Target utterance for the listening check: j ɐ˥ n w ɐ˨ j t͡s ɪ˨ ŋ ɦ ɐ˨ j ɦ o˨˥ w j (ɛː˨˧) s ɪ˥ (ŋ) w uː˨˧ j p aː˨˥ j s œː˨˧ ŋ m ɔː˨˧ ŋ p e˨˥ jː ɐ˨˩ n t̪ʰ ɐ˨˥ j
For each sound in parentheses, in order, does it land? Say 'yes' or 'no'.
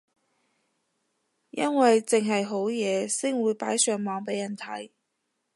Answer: yes, yes

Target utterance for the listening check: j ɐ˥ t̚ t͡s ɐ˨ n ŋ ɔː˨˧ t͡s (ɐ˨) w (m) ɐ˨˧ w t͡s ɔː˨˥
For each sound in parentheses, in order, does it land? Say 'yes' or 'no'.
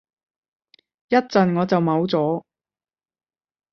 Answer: yes, yes

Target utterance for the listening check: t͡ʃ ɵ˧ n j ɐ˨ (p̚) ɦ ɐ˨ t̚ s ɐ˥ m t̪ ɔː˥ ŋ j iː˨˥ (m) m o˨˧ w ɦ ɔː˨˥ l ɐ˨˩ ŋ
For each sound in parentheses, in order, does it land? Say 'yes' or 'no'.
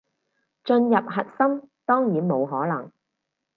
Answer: yes, no

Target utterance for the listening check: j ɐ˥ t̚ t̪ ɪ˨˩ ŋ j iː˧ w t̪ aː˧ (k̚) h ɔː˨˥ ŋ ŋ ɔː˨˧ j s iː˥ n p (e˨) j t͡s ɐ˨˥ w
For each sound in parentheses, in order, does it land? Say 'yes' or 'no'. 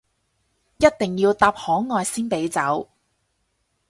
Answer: no, no

